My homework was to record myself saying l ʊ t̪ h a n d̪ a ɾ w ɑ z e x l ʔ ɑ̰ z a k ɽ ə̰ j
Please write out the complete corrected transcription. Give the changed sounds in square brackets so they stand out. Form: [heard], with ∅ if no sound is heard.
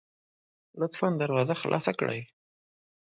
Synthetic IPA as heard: l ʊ t̪ [f] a n d̪ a ɾ w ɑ z [a] x l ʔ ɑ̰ [s] a k ɽ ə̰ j